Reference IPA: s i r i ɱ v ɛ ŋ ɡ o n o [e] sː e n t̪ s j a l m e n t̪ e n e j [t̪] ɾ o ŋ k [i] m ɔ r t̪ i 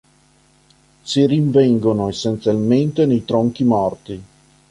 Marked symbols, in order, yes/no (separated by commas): yes, yes, yes